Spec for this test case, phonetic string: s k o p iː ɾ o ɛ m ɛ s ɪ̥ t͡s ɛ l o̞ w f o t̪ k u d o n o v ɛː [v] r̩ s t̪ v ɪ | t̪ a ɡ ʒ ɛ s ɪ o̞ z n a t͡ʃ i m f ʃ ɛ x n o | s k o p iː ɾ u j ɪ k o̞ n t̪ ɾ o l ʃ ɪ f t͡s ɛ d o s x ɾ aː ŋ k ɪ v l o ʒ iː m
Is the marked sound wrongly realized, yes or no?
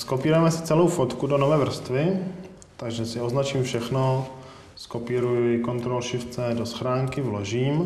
no